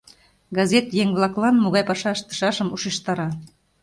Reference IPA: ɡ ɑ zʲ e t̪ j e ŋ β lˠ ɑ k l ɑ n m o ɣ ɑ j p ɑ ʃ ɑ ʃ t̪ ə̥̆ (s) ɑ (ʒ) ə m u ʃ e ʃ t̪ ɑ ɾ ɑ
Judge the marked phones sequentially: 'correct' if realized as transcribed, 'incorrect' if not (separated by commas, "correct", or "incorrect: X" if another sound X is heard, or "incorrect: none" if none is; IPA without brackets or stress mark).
incorrect: ʃ, incorrect: ʃ